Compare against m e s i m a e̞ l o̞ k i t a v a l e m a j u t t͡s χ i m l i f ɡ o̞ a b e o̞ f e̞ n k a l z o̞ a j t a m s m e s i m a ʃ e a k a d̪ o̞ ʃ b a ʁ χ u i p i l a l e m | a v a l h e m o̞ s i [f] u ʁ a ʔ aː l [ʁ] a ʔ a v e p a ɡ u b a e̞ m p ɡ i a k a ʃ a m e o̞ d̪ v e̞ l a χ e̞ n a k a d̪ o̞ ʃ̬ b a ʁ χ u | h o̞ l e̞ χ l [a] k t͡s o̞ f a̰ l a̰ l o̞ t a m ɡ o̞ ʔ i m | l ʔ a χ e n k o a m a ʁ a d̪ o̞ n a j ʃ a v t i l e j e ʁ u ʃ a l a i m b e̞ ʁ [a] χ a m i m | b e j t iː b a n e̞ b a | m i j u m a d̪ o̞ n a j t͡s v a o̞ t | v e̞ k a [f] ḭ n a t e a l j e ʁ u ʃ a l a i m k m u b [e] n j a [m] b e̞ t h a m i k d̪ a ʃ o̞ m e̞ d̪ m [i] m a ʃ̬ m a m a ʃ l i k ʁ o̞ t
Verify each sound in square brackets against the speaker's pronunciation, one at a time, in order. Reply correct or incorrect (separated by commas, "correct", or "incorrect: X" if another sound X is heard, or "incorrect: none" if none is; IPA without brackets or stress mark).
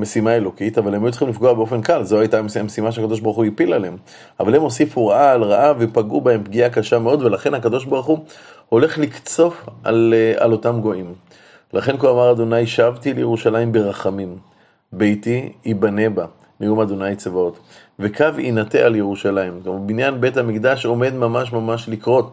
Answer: correct, correct, incorrect: i, correct, incorrect: v, incorrect: i, incorrect: n, incorrect: a